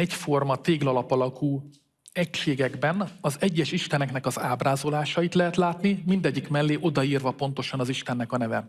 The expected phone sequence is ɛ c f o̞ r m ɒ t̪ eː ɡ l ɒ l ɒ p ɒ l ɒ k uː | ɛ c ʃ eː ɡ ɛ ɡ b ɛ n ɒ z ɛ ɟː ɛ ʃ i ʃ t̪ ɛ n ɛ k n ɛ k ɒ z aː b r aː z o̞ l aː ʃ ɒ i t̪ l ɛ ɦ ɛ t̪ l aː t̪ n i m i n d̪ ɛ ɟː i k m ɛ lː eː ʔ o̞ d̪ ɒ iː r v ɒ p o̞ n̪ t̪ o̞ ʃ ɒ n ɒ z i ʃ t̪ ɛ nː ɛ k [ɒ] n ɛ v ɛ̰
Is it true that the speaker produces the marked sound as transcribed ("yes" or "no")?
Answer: yes